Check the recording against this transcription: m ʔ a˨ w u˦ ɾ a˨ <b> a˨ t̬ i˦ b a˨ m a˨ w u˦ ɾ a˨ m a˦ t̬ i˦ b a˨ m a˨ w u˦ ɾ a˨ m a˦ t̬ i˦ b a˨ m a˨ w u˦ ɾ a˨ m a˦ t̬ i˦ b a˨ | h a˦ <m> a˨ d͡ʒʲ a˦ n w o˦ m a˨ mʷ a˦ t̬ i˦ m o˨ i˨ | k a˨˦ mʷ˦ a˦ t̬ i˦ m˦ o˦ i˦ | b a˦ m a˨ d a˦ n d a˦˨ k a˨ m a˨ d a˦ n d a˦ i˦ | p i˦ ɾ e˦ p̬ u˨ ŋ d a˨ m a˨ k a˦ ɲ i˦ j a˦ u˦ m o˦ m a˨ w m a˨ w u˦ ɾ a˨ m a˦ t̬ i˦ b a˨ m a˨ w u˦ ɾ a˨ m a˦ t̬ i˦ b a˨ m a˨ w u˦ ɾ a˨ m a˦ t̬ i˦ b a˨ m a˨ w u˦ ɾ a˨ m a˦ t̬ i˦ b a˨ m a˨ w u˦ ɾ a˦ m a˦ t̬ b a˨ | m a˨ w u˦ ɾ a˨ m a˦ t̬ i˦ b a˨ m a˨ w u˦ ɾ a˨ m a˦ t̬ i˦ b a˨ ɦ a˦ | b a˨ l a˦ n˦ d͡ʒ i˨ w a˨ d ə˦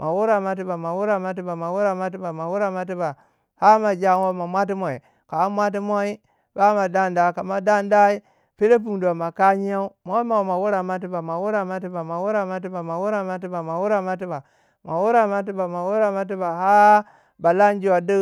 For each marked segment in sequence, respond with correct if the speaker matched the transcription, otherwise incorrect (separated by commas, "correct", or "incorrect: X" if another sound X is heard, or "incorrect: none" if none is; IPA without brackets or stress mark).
incorrect: m, correct